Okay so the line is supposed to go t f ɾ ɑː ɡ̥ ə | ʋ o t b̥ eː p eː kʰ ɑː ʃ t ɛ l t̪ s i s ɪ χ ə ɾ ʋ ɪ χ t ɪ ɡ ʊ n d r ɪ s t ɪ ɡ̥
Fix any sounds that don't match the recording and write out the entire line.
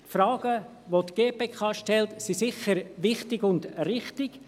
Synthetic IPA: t f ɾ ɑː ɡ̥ ə | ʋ o t ɡ̥ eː p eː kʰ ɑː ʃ t ɛ l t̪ s i s ɪ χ ə ɾ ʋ ɪ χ t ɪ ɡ ʊ n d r ɪ χ t ɪ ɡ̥